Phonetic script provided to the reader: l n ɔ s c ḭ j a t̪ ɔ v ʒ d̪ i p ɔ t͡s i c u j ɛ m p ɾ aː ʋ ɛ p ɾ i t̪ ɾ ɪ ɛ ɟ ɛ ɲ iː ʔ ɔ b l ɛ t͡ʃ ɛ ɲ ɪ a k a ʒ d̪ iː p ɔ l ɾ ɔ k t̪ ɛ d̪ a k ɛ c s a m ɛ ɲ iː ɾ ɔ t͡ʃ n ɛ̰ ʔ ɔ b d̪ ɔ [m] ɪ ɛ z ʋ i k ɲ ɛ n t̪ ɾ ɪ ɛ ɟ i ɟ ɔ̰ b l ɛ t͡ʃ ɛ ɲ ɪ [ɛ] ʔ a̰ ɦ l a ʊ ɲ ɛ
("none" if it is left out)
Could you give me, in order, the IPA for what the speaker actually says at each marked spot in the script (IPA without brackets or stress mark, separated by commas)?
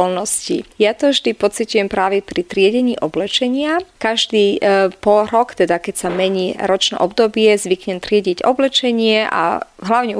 b, ɛ